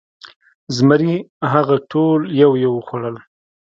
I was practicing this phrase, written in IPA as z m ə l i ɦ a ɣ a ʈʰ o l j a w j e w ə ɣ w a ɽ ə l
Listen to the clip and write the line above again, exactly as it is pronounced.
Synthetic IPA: z m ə ɾ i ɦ a ɣ a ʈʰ o l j a w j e w ə x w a ɽ ə l